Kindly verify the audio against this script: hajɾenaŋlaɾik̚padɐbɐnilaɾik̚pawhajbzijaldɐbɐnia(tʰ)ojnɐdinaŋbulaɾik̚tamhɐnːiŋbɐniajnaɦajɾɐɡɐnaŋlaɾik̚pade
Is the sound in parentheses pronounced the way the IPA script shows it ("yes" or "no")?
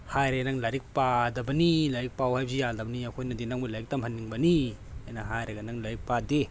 no